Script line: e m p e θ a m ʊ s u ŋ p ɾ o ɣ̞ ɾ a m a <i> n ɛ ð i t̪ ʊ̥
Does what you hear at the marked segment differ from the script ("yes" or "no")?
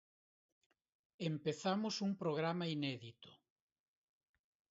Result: no